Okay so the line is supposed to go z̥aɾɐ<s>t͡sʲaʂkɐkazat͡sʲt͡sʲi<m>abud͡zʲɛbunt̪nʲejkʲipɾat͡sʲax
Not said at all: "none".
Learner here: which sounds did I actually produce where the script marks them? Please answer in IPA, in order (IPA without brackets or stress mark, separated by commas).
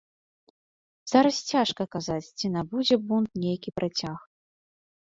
s, n